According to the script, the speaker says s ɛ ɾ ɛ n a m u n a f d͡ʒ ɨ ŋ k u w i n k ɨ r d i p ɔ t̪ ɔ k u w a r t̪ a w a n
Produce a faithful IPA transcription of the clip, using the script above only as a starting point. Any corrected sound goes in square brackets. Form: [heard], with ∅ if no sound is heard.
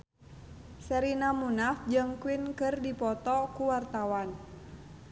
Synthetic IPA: s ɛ ɾ [i] n a m u n a f d͡ʒ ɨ ŋ k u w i n k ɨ r d i p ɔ t̪ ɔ k u w a r t̪ a w a n

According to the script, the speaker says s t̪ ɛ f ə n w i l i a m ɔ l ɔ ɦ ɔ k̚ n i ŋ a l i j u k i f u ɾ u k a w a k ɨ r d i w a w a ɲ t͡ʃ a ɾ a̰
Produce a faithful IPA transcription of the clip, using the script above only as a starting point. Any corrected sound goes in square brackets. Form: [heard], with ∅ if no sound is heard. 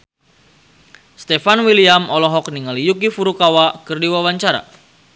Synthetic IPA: s t̪ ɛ f [a] n w i l i a m ɔ l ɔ ɦ ɔ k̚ n i ŋ a l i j u k i f u ɾ u k a w a k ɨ r d i w a w a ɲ t͡ʃ a ɾ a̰

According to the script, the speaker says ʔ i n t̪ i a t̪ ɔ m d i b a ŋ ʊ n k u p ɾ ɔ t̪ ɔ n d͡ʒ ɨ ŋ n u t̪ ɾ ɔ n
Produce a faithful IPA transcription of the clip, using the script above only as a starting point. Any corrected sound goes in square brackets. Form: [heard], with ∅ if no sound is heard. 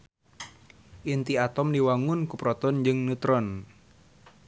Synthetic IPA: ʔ i n t̪ i a t̪ ɔ m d i [w] a ŋ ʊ n k u p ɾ ɔ t̪ ɔ n d͡ʒ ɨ ŋ n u t̪ ɾ ɔ n

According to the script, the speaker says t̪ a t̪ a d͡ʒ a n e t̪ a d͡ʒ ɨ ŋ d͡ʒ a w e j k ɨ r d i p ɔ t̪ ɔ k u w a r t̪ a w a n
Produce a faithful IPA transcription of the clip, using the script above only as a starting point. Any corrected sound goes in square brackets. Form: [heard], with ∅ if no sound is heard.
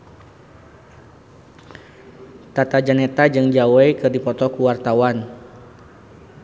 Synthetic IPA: t̪ a t̪ a d͡ʒ a n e t̪ a d͡ʒ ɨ ŋ d͡ʒ a w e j k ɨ r d i p ɔ t̪ ɔ k u w a r t̪ a w a n

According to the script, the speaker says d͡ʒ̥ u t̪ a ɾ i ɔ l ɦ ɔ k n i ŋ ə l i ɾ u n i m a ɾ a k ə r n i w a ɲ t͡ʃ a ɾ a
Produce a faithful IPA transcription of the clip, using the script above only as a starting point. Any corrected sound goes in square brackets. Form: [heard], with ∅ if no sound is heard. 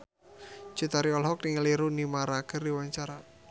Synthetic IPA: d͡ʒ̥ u t̪ a ɾ i ɔ l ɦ ɔ k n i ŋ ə l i ɾ u n i m a ɾ a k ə r [d] i w a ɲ t͡ʃ a ɾ a

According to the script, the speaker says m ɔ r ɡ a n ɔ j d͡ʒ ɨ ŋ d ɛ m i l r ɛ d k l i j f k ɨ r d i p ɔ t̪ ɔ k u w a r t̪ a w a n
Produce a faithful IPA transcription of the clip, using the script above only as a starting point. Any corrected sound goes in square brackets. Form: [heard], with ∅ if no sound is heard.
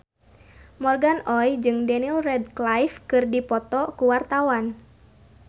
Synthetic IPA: m ɔ r ɡ a n ɔ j d͡ʒ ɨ ŋ d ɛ [n] i l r ɛ d k l [a] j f k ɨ r d i p ɔ t̪ ɔ k u w a r t̪ a w a n

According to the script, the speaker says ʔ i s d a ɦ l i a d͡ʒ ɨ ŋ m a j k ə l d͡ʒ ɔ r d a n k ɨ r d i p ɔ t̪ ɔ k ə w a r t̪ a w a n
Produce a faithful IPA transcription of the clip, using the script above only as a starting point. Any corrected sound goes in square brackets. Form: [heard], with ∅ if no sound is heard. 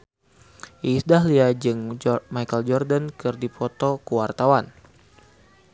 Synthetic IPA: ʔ i s d a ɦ l i a d͡ʒ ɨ ŋ m a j k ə l d͡ʒ ɔ r d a n k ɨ r d i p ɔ t̪ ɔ k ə w a r t̪ a w a n

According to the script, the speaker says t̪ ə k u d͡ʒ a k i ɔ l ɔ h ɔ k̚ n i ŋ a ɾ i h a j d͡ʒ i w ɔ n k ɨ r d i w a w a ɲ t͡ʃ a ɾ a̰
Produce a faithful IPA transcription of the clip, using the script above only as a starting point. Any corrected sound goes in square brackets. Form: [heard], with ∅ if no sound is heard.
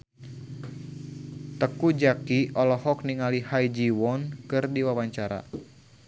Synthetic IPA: t̪ ə k u d͡ʒ a k i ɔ l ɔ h ɔ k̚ n i ŋ a [l] i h a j d͡ʒ i w ɔ n k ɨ r d i w a w a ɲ t͡ʃ a ɾ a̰

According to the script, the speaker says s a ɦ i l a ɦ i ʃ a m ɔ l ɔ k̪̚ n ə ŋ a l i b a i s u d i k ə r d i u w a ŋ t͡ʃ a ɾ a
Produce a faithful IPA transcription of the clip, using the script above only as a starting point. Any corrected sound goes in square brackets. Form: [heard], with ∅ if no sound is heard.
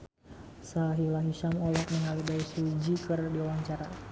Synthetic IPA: s a ɦ i l a ɦ i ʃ a m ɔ l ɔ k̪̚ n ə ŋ a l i b a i s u [d͡ʒ] i k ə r d i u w a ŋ t͡ʃ a ɾ a

